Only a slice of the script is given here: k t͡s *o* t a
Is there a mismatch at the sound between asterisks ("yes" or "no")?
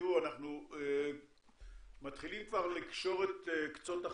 no